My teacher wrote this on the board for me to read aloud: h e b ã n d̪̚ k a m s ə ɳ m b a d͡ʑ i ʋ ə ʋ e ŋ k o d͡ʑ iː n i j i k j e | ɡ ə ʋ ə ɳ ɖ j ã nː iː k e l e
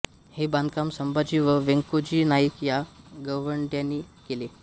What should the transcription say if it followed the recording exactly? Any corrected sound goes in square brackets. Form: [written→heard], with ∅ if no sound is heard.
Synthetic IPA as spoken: h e b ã n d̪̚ k a m s ə [ɳ→∅] m b a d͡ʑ i ʋ ə ʋ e ŋ k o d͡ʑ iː n [i→a] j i k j [e→a] | ɡ ə ʋ ə ɳ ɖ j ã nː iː k e l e